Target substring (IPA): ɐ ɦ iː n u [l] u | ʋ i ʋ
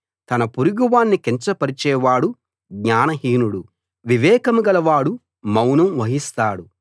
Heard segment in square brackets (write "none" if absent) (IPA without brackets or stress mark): ɽ